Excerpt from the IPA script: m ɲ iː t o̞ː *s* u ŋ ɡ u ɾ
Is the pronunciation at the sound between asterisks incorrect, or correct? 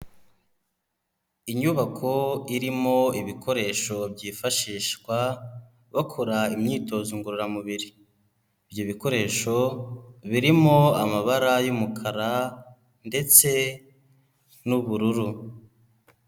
incorrect